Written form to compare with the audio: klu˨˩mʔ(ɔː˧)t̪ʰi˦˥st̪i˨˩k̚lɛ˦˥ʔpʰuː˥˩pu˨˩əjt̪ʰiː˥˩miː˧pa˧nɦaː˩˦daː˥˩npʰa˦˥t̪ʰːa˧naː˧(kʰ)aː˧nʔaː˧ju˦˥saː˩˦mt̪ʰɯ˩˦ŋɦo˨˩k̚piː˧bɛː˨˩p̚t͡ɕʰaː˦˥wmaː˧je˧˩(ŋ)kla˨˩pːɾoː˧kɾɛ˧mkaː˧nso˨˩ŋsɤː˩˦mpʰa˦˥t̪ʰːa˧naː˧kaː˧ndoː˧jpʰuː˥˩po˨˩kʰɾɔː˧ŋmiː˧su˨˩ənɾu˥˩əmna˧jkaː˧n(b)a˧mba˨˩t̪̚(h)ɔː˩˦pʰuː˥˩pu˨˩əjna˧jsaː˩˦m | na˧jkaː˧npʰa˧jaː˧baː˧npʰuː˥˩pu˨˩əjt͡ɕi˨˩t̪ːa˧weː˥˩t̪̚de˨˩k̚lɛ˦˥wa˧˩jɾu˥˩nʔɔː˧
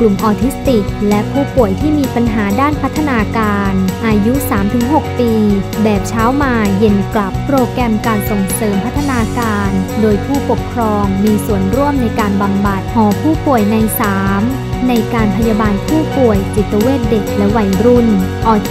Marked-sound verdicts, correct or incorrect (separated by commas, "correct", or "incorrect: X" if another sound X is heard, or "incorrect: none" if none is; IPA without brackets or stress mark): correct, incorrect: k, incorrect: n, correct, correct